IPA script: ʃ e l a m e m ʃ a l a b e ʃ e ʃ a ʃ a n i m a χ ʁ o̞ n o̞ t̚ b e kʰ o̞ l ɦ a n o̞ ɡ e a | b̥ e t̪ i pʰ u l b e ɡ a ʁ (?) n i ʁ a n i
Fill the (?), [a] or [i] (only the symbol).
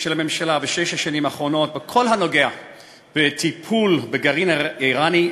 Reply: i